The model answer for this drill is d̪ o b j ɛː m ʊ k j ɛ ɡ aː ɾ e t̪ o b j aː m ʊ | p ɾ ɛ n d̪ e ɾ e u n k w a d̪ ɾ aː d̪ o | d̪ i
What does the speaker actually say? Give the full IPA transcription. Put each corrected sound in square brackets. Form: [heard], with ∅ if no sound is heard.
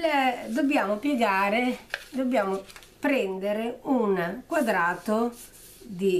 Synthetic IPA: d̪ o b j [aː] m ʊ [p] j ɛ ɡ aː ɾ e [d̪] o b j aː m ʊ | p ɾ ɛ n d̪ e ɾ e u n k w a d̪ ɾ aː [t̪] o | d̪ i